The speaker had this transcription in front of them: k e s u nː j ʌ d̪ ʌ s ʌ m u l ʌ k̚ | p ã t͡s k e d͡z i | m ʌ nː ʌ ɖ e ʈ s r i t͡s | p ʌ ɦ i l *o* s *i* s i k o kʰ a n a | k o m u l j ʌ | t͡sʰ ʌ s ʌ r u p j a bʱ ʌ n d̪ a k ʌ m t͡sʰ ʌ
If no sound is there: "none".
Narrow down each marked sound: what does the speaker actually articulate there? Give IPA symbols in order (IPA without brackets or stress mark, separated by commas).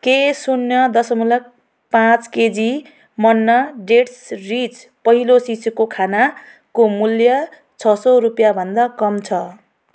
o, i